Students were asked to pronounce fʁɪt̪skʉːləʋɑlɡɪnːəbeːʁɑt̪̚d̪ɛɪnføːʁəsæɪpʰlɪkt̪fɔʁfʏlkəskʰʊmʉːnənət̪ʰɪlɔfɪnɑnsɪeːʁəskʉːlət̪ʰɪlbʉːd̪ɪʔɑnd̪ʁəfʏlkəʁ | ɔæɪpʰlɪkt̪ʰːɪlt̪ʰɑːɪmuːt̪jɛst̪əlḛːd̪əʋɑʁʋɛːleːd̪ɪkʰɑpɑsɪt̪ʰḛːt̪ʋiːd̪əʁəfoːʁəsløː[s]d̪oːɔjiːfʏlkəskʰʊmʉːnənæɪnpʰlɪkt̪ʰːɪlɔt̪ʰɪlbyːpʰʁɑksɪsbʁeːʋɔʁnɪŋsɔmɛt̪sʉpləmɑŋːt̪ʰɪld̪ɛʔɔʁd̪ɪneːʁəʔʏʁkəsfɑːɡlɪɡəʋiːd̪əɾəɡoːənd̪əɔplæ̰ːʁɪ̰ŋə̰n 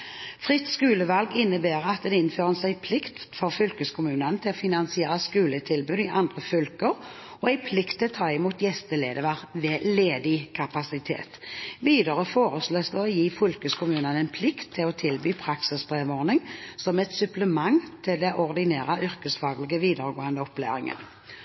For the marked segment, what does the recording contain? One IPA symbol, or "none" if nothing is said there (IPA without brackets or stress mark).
s